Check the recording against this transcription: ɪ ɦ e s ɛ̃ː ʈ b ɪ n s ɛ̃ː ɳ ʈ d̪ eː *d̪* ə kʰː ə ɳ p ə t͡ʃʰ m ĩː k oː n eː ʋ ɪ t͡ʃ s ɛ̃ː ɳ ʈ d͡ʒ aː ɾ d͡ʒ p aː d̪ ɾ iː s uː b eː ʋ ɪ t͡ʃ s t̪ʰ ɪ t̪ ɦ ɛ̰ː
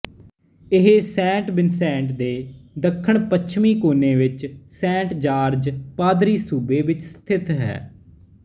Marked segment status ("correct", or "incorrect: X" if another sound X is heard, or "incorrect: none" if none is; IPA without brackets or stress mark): correct